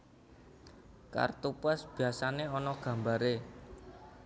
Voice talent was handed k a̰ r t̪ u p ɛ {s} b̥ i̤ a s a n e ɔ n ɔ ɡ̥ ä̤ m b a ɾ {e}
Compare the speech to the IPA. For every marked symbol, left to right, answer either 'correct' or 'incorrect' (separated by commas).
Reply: correct, correct